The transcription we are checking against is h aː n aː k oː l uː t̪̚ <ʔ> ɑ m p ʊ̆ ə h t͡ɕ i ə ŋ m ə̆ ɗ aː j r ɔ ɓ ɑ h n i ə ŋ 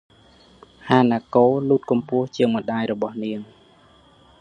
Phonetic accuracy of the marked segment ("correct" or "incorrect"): incorrect